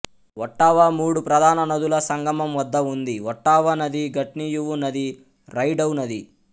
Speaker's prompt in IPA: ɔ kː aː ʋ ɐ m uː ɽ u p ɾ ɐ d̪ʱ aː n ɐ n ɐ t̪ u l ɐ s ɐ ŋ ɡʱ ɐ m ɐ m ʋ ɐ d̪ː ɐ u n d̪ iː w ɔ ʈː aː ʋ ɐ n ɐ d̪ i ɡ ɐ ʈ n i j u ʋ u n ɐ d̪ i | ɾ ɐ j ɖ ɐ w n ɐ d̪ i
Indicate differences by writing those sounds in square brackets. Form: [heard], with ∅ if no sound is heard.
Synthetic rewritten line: ɔ [ʈː] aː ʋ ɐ m uː ɽ u p ɾ ɐ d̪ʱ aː n ɐ n ɐ [d̪] u l ɐ s ɐ ŋ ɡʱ ɐ m ɐ m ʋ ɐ d̪ː ɐ u n d̪ [i] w ɔ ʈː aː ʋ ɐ n ɐ d̪ i ɡ ɐ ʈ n i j u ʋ u n ɐ d̪ i | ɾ ɐ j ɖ ɐ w n ɐ d̪ i